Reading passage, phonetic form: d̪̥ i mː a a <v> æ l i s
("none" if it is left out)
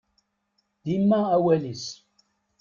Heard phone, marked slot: w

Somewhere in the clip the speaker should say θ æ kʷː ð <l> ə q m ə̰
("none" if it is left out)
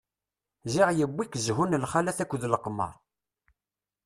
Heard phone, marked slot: l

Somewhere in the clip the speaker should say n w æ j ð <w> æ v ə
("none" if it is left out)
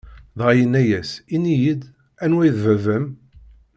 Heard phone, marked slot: v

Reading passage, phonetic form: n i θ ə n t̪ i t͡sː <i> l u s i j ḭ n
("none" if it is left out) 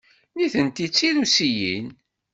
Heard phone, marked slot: i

